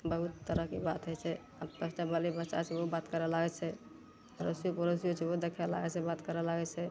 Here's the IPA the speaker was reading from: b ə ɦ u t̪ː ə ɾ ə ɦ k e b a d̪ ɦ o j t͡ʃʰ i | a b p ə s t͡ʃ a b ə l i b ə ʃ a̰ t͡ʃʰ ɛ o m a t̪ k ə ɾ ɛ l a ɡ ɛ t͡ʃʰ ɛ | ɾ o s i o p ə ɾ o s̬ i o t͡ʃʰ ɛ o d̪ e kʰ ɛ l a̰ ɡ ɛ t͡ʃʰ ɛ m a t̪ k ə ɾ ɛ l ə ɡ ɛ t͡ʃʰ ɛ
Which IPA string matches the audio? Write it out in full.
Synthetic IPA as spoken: b ə ɦ u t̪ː ə ɾ ə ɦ k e b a t̪ ɦ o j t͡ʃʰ ɛ | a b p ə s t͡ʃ a b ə l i b ə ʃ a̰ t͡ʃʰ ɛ o b a t̪ k ə ɾ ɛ l a ɡ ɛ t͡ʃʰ ɛ | ɾ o s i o p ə ɾ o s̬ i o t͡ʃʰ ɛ o d̪ e kʰ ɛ l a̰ ɡ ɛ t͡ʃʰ ɛ b a t̪ k ə ɾ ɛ l a ɡ ɛ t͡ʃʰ ɛ

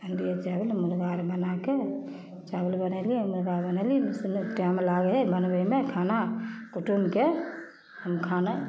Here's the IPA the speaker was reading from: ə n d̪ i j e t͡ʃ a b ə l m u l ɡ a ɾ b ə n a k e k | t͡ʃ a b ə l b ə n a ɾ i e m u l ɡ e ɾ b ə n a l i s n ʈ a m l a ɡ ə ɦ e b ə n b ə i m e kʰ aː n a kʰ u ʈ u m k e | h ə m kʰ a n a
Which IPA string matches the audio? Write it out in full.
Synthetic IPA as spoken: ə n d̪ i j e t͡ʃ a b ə l m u l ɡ a ɾ b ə n a k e | t͡ʃ a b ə l b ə n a l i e m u l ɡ a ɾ b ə n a l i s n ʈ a m l a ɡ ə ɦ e b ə n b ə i m e kʰ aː n a k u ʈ u m k e | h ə m kʰ a n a

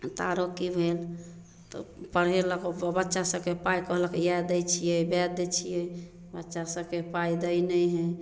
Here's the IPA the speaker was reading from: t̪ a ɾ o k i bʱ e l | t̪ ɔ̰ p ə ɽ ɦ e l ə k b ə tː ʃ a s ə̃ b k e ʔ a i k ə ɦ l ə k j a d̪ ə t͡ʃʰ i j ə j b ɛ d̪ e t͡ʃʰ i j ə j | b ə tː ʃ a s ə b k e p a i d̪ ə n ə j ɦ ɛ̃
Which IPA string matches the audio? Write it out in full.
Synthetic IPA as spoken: t̪ a ɾ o k i bʱ e l | t̪ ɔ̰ p ə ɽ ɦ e l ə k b ə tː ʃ a s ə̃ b k e p a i k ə ɦ l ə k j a d̪ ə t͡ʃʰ i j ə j b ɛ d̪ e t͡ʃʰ i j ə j | b ə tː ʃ a s ə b k e p a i d̪ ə n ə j ɦ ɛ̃

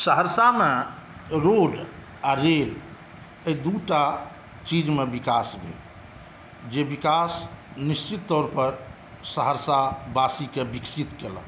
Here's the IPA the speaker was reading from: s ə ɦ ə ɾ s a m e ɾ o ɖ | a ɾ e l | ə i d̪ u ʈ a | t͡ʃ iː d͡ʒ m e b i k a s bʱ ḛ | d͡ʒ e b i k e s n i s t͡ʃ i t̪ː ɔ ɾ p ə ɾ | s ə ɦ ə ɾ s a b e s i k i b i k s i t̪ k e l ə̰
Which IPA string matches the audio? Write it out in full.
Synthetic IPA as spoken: s ə ɦ ə ɾ s a m e ɾ o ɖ | a ɾ e l | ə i d̪ u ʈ a | t͡ʃ i d͡ʒ m e b i k a s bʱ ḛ | d͡ʒ e b i k a s n i s t͡ʃ i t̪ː ɔ ɾ p ə ɾ | s ə ɦ ə ɾ s a b a s i k e b i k s i t̪ k e l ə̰

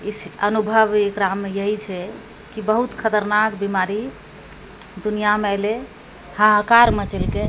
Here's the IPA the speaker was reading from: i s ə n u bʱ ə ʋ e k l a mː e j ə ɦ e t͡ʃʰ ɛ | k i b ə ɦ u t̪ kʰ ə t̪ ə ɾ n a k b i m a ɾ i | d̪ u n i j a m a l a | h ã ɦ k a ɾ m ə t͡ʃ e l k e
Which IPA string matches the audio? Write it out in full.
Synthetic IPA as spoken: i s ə n u bʱ ə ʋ e k ɾ a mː e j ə ɦ i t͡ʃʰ ɛ | k i b ə ɦ u t̪ kʰ ə t̪ ə ɾ n a k b i m a ɾ i | d̪ u n i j a m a l e | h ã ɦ k a ɾ m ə t͡ʃ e l k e

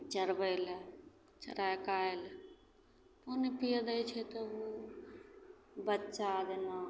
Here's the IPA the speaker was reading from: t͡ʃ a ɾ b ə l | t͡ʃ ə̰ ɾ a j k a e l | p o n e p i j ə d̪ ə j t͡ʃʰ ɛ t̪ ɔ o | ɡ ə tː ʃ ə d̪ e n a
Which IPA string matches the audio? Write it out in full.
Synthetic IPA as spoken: t͡ʃ ə ɾ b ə l | t͡ʃ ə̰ ɾ a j k a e l | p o n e p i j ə d̪ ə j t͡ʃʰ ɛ t̪ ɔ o | b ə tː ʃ a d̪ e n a

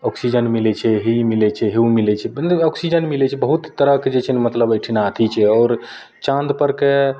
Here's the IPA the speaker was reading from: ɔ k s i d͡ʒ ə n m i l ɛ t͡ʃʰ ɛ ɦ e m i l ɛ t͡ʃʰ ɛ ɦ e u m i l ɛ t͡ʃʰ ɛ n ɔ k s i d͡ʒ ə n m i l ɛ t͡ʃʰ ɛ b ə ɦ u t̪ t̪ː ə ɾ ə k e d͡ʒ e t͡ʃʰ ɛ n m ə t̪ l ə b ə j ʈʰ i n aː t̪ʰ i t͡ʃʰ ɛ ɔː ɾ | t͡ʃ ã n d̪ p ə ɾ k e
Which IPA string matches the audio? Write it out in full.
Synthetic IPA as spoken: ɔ k s i d͡ʒ ə n m i l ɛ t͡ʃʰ ɛ ɦ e m i l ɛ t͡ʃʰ ɛ ɦ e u m i l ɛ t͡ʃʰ ɛ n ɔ k s i d͡ʒ ə n m i l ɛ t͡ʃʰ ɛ b ə ɦ u t̪ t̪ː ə ɾ ə k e d͡ʒ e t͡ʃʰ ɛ n m ə t̪ l ə b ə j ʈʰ i n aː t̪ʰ i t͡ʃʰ ɛ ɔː ɾ | t͡ʃ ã n d̪ p ə ɾ k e

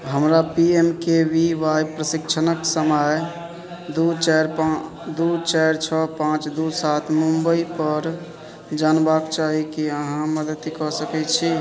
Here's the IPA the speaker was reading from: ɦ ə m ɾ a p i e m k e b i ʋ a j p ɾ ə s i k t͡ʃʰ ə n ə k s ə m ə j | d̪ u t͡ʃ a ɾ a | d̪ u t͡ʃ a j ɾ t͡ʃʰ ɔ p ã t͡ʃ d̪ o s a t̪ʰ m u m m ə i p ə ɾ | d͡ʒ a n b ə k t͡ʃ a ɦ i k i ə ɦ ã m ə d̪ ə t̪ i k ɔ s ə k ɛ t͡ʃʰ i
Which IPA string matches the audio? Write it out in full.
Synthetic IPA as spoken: ɦ ə m ɾ a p i e m k e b i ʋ a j p ɾ ə s i k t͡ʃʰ ə n ə k s ə m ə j | d̪ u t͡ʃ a ɾ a | d̪ u t͡ʃ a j ɾ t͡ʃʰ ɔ p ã t͡ʃ d̪ u s a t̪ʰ m u m b ə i p ə ɾ | d͡ʒ a n b a k t͡ʃ a ɦ i k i ə ɦ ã m ə d̪ ə t̪ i k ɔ s ə k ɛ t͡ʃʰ i

